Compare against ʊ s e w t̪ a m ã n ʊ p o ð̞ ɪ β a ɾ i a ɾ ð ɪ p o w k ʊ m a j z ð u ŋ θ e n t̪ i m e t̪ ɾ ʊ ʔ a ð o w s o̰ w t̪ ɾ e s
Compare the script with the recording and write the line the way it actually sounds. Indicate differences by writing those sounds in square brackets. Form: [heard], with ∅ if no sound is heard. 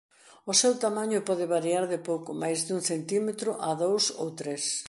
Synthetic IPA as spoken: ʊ s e w t̪ a m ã [ɲ] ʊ p [ɔ] ð̞ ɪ β a ɾ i a ɾ ð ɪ p o w k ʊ m a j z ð u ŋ θ e n t̪ i m e t̪ ɾ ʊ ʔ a ð o w s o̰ w t̪ ɾ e s